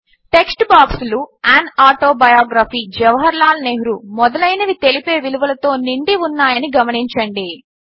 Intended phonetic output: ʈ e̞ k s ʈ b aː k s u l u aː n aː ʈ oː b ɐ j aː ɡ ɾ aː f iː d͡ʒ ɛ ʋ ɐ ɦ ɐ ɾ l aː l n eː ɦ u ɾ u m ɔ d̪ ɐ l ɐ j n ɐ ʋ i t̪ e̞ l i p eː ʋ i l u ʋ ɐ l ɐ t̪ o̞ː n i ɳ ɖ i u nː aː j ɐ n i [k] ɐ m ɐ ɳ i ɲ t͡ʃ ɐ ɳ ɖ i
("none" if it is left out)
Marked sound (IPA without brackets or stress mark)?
ɡ